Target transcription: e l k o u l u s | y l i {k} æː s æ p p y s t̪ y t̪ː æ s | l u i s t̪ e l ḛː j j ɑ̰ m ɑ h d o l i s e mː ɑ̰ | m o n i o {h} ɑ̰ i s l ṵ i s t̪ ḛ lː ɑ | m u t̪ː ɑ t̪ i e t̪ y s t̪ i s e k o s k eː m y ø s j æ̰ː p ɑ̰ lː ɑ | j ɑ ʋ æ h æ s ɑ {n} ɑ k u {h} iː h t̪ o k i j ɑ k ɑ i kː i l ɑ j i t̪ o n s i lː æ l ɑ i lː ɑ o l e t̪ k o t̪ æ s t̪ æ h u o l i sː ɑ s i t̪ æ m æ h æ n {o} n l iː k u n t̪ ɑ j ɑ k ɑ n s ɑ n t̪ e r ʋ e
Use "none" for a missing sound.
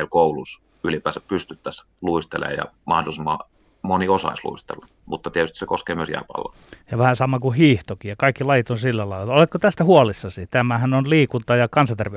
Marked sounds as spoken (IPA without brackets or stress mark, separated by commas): p, s, m, h, o